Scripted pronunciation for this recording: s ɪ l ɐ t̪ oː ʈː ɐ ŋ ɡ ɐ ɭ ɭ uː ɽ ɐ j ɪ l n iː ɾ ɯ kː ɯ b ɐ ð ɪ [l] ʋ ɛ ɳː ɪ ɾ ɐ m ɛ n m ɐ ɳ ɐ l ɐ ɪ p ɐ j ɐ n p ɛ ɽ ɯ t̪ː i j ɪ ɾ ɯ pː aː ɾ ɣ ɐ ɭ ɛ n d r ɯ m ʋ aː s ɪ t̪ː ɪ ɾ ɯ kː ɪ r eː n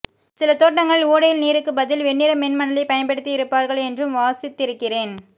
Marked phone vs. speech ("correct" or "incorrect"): correct